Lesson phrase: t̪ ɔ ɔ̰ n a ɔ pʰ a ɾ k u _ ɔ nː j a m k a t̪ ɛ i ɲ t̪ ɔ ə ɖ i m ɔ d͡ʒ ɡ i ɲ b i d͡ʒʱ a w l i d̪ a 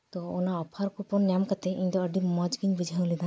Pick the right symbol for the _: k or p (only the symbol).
p